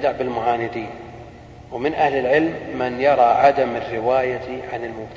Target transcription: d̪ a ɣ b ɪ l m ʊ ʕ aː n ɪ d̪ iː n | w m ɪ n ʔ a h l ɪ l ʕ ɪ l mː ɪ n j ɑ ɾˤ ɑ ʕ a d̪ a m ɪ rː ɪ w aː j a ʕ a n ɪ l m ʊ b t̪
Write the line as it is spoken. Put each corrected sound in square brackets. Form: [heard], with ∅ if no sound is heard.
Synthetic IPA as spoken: d̪ a [ʕ] b ɪ l m ʊ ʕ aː n ɪ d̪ iː n | w m ɪ n ʔ a h l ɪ l ʕ ɪ l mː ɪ n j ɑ ɾˤ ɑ ʕ a d̪ a m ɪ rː ɪ w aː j a ʕ a n ɪ l m ʊ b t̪